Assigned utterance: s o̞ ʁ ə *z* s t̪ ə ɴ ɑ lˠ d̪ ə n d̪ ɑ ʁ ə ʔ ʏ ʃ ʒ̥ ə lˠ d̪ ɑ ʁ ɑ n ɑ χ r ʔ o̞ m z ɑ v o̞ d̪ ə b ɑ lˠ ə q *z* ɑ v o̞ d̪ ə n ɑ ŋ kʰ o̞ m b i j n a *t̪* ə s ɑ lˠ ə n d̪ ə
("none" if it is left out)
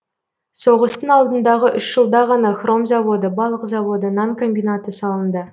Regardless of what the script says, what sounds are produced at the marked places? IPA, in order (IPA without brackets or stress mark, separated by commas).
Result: none, z, t̪